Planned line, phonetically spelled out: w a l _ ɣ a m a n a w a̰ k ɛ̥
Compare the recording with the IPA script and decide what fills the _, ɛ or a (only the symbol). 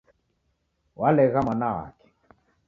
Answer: ɛ